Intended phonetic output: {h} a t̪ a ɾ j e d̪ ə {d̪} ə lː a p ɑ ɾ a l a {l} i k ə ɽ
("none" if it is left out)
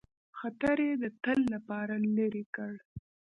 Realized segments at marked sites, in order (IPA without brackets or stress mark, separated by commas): x, t̪, ɾ